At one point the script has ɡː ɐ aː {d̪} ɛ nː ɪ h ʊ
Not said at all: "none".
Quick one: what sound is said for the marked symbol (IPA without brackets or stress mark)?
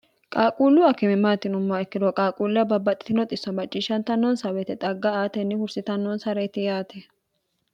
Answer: t̪